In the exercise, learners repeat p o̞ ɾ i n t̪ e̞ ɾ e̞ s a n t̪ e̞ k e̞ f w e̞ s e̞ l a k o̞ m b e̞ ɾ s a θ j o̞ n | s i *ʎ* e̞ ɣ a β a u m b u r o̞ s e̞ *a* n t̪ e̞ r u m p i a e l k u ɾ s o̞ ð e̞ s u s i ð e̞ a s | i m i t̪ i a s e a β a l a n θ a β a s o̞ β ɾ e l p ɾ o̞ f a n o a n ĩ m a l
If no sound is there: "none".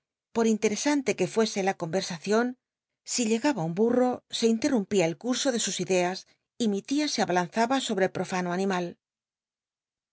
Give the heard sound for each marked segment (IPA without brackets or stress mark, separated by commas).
ʎ, i